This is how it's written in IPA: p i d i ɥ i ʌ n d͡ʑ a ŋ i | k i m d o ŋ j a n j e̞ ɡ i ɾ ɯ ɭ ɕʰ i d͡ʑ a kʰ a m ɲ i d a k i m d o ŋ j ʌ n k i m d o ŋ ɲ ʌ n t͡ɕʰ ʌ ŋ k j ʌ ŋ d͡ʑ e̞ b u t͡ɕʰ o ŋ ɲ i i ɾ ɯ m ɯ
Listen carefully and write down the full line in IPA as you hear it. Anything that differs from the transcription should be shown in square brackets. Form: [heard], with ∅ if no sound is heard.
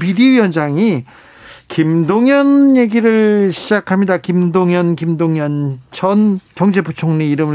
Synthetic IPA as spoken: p i d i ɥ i ʌ n d͡ʑ a ŋ i | k i m d o ŋ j [ʌ] n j e̞ ɡ i ɾ ɯ ɭ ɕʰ i d͡ʑ a kʰ a m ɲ i d a k i m d o ŋ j ʌ n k i m d o ŋ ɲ ʌ n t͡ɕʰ ʌ [n] k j ʌ ŋ d͡ʑ e̞ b u t͡ɕʰ o ŋ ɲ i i ɾ ɯ m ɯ